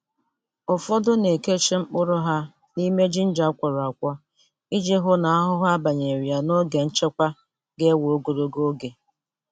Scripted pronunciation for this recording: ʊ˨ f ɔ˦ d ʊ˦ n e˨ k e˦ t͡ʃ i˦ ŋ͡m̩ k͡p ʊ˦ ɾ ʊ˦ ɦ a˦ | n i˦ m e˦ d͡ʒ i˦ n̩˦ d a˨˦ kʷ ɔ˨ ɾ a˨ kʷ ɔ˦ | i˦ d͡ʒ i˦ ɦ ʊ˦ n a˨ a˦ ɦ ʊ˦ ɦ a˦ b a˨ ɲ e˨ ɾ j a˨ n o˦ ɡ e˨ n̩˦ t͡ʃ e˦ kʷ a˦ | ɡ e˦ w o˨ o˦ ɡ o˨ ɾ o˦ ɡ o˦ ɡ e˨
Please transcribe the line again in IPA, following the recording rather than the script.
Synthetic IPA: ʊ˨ f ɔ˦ d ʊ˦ n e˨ k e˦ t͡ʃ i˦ ŋ͡m̩ k͡p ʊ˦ ɾ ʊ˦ ɦ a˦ | n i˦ m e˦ d͡ʒ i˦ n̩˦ d͡ʒ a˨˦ kʷ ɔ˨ ɾ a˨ kʷ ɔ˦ | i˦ d͡ʒ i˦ ɦ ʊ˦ n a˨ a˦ ɦ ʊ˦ ɦ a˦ b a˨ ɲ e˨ ɾ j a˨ n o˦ ɡ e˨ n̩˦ t͡ʃ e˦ kʷ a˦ | ɡ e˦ w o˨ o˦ ɡ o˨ ɾ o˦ ɡ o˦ ɡ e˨